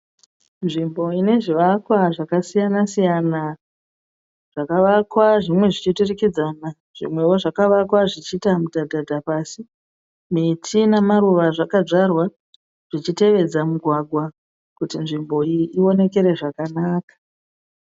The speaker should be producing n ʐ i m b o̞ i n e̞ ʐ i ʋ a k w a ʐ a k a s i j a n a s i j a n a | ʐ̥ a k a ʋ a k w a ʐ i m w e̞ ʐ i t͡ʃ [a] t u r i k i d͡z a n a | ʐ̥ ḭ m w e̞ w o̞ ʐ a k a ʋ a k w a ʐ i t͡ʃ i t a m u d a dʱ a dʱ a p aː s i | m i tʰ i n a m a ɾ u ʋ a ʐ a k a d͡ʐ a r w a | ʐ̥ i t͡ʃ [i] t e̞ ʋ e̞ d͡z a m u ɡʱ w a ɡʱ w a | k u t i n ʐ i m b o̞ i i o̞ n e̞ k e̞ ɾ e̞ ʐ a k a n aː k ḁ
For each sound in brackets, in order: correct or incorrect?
incorrect: i, correct

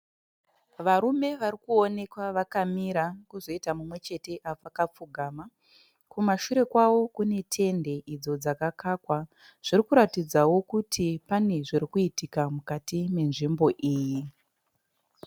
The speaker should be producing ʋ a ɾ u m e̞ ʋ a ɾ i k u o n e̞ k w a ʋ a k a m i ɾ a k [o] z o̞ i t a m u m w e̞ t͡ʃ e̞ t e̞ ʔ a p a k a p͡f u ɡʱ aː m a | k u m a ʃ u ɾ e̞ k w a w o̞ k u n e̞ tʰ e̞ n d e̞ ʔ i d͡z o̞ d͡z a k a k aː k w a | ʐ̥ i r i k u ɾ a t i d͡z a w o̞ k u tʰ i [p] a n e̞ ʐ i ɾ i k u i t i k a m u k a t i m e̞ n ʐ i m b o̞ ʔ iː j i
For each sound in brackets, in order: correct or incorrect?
incorrect: u, correct

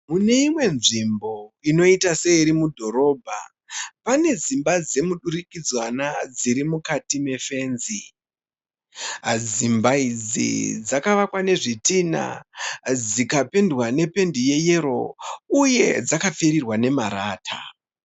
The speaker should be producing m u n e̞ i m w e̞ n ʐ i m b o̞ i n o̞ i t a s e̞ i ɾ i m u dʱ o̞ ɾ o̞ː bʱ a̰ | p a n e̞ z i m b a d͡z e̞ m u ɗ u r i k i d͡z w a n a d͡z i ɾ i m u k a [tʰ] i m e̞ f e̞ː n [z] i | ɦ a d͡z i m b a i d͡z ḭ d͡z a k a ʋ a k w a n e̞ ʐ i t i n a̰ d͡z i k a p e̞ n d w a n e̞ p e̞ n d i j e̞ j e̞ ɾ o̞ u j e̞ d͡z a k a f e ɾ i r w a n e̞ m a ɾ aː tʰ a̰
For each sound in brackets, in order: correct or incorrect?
incorrect: t, correct

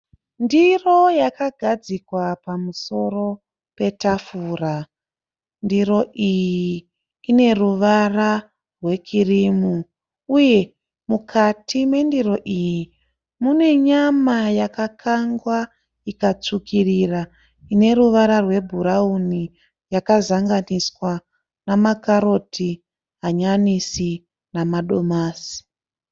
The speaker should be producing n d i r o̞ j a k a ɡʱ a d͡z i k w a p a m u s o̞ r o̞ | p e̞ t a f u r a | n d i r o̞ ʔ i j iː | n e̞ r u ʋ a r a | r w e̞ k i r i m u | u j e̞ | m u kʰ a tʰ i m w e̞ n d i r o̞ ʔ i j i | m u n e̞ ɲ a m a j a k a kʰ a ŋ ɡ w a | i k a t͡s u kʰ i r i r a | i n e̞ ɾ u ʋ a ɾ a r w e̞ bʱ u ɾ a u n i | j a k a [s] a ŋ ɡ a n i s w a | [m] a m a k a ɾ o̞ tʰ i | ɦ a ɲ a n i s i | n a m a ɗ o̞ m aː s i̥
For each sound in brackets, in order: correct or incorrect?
incorrect: z, incorrect: n

